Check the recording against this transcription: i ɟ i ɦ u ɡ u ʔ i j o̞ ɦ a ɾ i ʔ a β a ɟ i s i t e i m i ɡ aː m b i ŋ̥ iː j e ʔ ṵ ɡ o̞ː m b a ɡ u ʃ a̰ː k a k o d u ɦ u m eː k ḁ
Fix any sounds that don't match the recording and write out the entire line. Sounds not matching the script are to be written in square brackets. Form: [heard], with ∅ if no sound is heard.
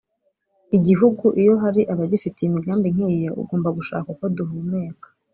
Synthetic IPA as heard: i ɟ i ɦ u ɡ u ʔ i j o̞ ɦ a ɾ i ʔ a β a ɟ i [f] i t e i m i ɡ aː m b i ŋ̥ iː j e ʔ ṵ ɡ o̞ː m b a ɡ u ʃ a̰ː k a k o d u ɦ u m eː k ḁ